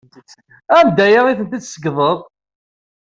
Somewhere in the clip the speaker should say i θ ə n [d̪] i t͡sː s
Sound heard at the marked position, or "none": t̪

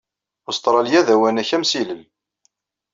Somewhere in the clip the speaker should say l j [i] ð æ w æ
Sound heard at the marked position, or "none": æ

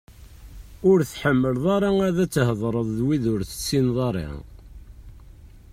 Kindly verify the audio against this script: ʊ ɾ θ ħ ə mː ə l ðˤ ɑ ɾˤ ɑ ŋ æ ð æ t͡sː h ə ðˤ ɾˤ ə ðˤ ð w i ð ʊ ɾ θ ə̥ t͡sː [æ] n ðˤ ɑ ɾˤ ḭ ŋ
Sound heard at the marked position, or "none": i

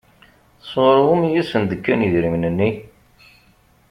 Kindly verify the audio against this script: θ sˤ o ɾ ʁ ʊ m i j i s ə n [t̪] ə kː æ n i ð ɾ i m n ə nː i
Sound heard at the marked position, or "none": d̪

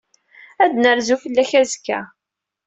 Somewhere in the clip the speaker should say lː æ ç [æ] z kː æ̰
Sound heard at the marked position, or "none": æ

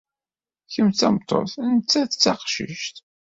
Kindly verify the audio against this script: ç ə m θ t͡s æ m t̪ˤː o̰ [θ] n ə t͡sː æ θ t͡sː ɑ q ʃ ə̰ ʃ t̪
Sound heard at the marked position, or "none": θ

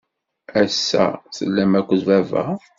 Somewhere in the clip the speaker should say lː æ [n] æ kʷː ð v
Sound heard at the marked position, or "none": m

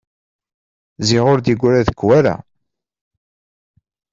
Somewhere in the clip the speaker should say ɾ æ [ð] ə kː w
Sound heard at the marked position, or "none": ð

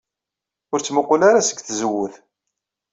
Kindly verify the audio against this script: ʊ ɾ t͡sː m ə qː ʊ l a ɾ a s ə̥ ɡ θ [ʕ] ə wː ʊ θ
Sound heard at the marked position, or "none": z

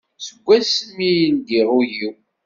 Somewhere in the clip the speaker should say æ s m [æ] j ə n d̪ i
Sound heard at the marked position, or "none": i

